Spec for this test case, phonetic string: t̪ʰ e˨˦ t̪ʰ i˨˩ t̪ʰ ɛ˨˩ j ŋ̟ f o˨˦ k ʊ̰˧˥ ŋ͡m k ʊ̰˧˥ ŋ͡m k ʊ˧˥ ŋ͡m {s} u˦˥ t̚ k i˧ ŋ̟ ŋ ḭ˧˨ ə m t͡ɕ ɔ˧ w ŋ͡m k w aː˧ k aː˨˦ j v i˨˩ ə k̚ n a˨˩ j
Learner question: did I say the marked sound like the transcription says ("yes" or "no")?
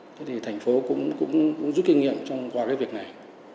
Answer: no